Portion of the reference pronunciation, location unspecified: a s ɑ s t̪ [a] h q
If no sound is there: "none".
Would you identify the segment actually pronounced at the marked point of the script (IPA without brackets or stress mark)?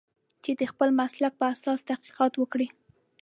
a